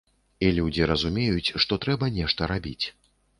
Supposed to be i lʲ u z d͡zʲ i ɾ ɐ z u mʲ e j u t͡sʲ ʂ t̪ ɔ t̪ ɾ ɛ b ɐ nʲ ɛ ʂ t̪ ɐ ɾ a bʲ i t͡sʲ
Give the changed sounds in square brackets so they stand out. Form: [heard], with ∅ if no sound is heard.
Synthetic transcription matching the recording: i lʲ u [∅] d͡zʲ i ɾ ɐ z u mʲ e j u t͡sʲ ʂ t̪ ɔ t̪ ɾ ɛ b ɐ nʲ ɛ ʂ t̪ ɐ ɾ a bʲ i t͡sʲ